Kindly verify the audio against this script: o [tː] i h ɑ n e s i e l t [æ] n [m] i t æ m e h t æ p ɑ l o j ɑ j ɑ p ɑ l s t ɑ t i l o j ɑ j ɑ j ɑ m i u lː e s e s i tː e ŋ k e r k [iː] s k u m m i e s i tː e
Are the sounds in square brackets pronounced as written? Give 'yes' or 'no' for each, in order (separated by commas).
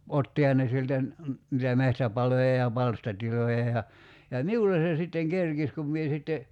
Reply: yes, yes, no, no